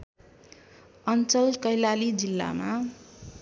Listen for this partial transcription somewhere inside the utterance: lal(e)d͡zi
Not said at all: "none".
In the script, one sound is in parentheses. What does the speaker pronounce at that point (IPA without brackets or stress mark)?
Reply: i